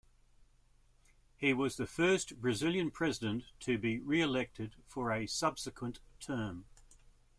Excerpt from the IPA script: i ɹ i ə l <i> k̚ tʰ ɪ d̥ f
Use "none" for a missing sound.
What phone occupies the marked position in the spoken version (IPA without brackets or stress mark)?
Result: ɛ